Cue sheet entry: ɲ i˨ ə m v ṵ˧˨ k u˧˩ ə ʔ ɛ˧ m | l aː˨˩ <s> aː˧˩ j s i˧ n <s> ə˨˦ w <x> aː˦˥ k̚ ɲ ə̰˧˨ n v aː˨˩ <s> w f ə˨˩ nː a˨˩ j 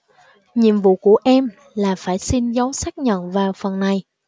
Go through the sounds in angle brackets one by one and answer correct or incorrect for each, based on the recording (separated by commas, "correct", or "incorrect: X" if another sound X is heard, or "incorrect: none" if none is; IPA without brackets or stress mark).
incorrect: f, incorrect: z, incorrect: s, incorrect: none